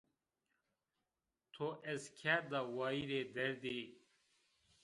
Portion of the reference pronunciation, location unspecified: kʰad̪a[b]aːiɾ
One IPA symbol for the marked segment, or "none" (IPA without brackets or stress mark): w